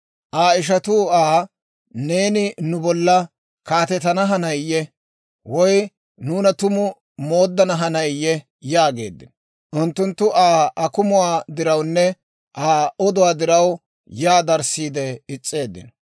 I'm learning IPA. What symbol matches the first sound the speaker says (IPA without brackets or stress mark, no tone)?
ʔ